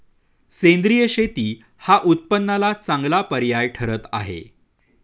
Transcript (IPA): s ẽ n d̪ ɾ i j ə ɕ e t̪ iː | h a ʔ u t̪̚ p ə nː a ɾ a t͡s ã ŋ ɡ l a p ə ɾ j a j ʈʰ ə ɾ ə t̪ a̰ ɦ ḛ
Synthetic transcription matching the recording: s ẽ n d̪ ɾ i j ə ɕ e t̪ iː | h a ʔ u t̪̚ p ə nː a l a t͡s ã ŋ ɡ l a p ə ɾ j a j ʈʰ ə ɾ ə t̪ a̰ ɦ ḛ

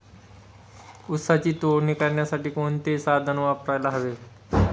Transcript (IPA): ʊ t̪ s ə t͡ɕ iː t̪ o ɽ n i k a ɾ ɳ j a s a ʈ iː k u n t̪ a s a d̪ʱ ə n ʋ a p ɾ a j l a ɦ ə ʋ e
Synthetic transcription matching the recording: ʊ t̪ s a t͡ɕ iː t̪ o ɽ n i k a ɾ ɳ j a s a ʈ iː k o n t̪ e s a d̪ʱ ə n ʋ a p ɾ a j l a ɦ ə ʋ e

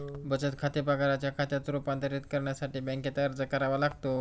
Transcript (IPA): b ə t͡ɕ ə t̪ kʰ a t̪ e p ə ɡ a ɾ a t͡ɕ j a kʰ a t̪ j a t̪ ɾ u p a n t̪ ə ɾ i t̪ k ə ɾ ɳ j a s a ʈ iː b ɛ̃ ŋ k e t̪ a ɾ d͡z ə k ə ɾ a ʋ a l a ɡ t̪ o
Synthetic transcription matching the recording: b ə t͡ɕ ə t̪ kʰ a t̪ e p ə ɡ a ɾ a t͡ɕ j a kʰ a t̪ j a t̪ ɾ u p a n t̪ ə ɾ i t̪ k ə ɾ ɳ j a s a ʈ iː b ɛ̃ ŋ k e t̪ a ɾ d͡z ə k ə ɾ a ʋ a l a ɡ t̪ o

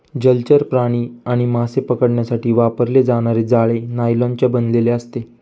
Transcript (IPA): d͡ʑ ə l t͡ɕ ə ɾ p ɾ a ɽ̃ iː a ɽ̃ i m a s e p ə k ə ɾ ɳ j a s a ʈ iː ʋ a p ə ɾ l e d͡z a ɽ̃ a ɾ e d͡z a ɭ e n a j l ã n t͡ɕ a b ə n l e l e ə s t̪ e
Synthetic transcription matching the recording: d͡ʑ ə l t͡ɕ ə ɾ p ɾ a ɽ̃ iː a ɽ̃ i m a s e p ə k ə ɽ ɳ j a s a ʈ iː ʋ a p ə ɾ l e d͡z a ɽ̃ a ɾ e d͡z a ɭ e n a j l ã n t͡ɕ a b ə n l e l e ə s t̪ e

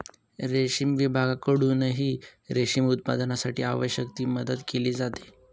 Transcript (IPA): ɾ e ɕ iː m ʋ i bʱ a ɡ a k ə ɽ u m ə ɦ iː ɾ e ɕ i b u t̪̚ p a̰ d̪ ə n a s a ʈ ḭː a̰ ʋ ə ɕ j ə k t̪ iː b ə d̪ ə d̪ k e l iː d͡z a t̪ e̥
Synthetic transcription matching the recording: ɾ e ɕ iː m ʋ i bʱ a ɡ a k ə ɽ u n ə ɦ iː ɾ e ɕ i m u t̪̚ p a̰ d̪ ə n a s a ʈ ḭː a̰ ʋ ə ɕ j ə k t̪ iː m ə d̪ ə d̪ k e l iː d͡z a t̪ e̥

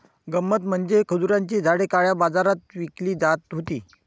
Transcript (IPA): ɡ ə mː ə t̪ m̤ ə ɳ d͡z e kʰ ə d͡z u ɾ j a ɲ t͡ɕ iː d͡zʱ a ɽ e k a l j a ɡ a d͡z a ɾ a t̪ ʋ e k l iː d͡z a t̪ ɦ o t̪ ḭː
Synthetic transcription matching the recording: ɡ ə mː ə t̪ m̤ ə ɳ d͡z e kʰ ə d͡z u ɾ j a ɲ t͡ɕ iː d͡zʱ a ɽ e k a ɭ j a b a d͡z a ɾ a t̪ ʋ i k l iː d͡z a t̪ ɦ o t̪ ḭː

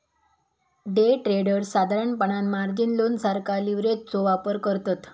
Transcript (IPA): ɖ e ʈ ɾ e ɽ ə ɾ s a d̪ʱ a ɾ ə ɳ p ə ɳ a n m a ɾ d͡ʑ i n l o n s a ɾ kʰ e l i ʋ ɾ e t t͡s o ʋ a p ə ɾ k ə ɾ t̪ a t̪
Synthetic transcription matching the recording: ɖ e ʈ ɾ e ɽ ə ɾ s a d̪ʱ a ɾ ə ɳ p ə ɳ a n m a ɾ d͡ʑ i n l o n s a ɾ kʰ a l i ʋ ɾ e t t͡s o ʋ a p ə ɾ k ə ɾ t̪ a t̪

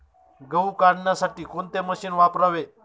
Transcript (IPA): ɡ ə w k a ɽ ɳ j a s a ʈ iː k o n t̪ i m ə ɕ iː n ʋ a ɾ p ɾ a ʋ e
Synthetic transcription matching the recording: ɡ ə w k a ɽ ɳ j a s a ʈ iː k o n t̪ e m ə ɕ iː n ʋ a p ɾ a ʋ e

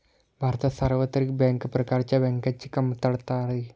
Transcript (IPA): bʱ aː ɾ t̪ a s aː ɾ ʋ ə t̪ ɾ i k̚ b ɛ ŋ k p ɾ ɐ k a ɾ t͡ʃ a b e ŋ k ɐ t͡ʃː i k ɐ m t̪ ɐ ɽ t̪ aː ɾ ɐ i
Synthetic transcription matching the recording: bʱ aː ɾ t̪ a s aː ɾ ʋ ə t̪ ɾ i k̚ b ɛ ŋ k p ɾ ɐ k a ɾ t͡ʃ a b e ŋ k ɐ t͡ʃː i k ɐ m t̪ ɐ ɽ t̪ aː ɾ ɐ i

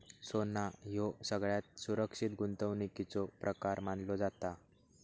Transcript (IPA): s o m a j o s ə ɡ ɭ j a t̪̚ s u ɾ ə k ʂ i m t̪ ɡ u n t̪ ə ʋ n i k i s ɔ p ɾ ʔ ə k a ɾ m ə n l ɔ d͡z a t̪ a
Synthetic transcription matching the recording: s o n a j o s ə ɡ ɭ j a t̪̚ s u ɾ ə k ʂ i t̪ ɡ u n t̪ ə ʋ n i k i t͡s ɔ p ɾ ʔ ə k a ɾ m a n l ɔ d͡z a t̪ a

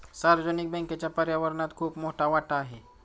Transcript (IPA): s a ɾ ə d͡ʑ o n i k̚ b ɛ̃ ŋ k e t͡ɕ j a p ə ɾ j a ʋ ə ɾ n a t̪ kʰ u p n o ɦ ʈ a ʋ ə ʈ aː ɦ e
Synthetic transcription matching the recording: s a ɾ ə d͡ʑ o n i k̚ b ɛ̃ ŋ k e t͡ɕ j a p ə ɾ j a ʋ ə ɾ n a t̪ kʰ uː p m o ɦ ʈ a ʋ a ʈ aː ɦ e

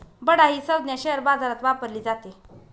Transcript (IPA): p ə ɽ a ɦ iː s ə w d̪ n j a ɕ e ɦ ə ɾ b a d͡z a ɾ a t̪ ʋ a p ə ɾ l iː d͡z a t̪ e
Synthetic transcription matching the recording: b ə ɽ a ɦ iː s ə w d̪ n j a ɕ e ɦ ə ɾ b a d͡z a ɾ a t̪ ʋ a p ə ɾ l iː d͡z a t̪ e

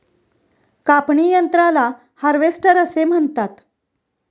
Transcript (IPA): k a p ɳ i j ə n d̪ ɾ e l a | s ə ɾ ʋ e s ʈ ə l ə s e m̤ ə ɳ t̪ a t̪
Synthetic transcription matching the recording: k a p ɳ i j ə n t̪ ɾ a l a | h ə ɾ ʋ e s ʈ ə ɾ ə s e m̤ ə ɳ t̪ a t̪

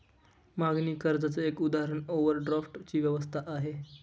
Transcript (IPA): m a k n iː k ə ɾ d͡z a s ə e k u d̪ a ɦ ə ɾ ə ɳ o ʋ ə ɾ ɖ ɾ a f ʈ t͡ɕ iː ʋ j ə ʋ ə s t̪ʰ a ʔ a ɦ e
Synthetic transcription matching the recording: m a ɡ n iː k ə ɾ d͡z a t͡s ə e k u d̪ a ɦ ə ɾ ə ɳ o ʋ ə ɾ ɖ ɾ a f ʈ t͡ɕ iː ʋ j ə ʋ ə s t̪ʰ a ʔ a ɦ e

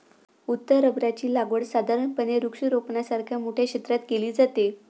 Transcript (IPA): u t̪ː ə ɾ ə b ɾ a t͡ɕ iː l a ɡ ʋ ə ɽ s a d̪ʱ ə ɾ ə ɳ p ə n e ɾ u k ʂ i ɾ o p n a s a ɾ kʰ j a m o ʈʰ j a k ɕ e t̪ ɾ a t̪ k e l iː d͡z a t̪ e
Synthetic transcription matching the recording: u t̪ː ə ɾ ə b ɾ a t͡ɕ iː l a ɡ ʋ ə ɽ s a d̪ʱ a ɾ ə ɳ p ə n e ɾ u k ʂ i ɾ o p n a s a ɾ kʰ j a m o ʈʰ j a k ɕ e t̪ ɾ a t̪ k e l iː d͡z a t̪ e

